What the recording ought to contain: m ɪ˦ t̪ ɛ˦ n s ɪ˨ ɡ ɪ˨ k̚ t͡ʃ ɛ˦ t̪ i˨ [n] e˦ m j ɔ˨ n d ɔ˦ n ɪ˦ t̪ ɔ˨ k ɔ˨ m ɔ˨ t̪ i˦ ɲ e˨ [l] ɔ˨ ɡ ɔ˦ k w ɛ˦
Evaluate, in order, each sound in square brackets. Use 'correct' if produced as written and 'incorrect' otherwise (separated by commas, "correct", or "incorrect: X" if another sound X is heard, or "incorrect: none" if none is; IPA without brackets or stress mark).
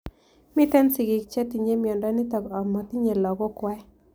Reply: incorrect: ɲ, correct